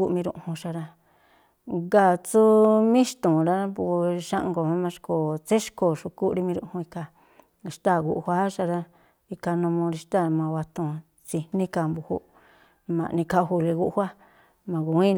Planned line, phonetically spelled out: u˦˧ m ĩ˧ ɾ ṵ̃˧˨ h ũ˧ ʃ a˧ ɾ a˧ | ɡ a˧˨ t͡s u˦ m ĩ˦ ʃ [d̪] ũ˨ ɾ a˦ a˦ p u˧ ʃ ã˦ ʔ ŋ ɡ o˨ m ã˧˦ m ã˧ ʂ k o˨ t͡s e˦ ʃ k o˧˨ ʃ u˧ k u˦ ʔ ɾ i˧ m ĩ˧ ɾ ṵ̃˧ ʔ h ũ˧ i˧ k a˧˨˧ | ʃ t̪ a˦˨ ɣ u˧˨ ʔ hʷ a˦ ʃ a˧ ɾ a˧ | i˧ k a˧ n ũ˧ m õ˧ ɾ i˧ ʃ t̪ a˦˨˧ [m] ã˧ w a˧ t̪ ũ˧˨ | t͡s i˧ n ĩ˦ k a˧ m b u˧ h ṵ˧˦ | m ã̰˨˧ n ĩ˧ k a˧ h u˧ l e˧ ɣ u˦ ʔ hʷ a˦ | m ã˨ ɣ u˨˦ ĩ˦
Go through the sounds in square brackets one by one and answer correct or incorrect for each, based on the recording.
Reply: incorrect: t̪, correct

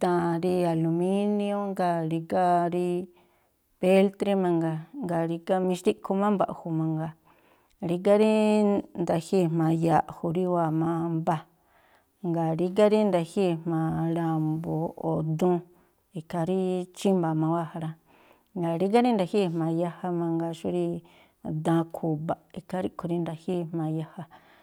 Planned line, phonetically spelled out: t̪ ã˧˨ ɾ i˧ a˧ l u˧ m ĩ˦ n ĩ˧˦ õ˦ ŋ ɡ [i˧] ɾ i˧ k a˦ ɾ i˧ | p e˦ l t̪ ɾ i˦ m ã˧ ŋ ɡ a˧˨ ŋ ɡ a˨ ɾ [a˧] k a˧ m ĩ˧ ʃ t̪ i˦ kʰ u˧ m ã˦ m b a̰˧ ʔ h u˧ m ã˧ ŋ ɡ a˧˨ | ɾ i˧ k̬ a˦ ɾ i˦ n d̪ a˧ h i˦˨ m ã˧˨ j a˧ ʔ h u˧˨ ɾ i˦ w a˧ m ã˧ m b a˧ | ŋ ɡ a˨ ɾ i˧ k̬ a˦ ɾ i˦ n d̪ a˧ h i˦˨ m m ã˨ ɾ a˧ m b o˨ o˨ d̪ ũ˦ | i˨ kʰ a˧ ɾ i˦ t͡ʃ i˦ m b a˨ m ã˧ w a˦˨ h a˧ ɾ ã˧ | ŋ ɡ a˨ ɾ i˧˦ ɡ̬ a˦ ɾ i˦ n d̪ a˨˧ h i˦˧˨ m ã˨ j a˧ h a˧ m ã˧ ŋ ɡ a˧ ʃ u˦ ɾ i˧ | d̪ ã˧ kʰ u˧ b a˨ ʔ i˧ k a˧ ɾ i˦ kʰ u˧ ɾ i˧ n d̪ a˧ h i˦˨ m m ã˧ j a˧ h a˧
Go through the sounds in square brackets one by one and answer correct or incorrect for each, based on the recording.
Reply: incorrect: a˧, incorrect: i˧

